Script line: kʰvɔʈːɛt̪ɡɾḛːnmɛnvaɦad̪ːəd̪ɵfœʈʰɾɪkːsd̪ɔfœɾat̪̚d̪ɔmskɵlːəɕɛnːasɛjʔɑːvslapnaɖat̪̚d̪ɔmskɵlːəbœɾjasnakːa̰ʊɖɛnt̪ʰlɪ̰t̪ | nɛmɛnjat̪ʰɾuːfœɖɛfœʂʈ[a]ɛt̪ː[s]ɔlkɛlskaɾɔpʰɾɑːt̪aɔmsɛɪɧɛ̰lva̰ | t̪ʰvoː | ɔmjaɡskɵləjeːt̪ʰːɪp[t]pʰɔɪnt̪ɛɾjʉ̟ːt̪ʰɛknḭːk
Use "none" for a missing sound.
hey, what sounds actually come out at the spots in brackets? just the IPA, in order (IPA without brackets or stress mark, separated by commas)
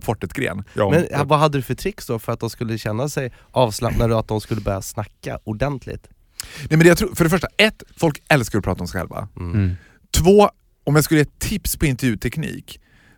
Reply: a, f, s